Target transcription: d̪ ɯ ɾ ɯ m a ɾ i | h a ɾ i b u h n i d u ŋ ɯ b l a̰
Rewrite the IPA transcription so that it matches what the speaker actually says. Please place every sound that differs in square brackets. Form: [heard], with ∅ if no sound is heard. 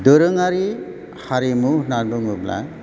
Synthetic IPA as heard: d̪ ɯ ɾ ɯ [ŋ] a ɾ i | h a ɾ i [m] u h n [a] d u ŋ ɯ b l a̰